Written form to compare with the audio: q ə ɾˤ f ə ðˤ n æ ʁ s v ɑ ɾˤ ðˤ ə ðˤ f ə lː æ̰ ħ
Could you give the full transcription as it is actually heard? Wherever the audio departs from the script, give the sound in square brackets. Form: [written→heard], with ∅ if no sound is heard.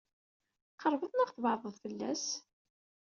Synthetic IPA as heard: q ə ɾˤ [f→v] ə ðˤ n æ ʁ [s→θ] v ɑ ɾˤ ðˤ ə ðˤ f ə lː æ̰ [ħ→s]